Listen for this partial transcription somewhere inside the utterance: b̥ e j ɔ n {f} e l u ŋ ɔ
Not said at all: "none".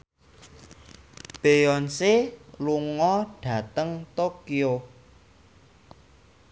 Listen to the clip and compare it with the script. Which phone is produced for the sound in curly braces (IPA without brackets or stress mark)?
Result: s